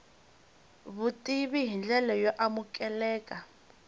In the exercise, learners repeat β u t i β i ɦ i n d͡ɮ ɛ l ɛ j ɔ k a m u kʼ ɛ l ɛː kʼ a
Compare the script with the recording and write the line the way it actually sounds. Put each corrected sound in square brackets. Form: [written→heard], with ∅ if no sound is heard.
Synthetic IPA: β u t i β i ɦ i n d͡ɮ ɛ l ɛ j ɔ [k→ʔ] a m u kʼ ɛ l ɛː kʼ a

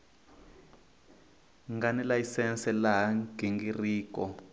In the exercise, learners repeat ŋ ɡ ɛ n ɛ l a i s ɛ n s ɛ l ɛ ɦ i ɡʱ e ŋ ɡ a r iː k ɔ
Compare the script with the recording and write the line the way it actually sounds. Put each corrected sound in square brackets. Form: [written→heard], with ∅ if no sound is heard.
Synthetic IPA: ŋ ɡ [ɛ→a] n ɛ l a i s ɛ n s ɛ l [ɛ→a] ɦ [i→a] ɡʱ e ŋ ɡ [a→i] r iː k ɔ

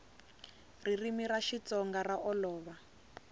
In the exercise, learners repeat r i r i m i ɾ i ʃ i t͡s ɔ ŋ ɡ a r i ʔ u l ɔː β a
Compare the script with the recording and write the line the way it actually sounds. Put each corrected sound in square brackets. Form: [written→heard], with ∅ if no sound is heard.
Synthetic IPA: r i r i m i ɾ [i→a] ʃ i t͡s ɔ ŋ ɡ a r [i→a] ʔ [u→ɔ] l ɔː β a

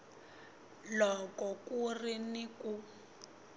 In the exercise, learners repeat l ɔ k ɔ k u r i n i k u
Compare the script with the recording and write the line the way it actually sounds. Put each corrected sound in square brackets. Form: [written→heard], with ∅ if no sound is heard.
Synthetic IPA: l ɔ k ɔ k u r i n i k u

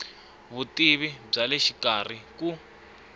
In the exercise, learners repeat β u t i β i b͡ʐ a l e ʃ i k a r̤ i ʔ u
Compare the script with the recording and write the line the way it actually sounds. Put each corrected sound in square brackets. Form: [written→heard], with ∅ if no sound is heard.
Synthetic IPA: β u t i β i b͡ʐ a l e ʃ i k a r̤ i [ʔ→k] u

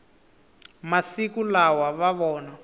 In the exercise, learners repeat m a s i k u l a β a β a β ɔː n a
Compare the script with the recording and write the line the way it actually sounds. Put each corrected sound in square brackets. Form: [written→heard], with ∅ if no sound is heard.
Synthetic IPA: m a s i k u l a [β→w] a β a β ɔː n a

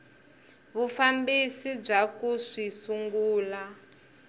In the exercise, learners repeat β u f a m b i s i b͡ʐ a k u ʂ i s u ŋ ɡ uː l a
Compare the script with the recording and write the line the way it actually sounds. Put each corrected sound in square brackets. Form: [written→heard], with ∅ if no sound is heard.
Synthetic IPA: β u f a m b i s i b͡ʐ a k u ʂ i s u ŋ ɡ uː l a

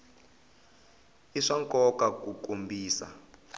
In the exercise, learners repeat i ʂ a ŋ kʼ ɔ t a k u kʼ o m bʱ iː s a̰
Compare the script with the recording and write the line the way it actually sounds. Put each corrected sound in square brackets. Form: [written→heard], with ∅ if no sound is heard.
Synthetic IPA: i ʂ a ŋ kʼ ɔ [t→k] a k u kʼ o m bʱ iː s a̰

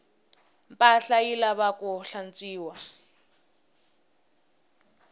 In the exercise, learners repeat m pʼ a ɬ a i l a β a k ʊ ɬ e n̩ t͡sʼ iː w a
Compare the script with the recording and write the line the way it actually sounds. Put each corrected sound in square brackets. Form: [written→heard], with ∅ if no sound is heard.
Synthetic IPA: m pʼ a ɬ a i l a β a k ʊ ɬ [e→a] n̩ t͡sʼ iː w a

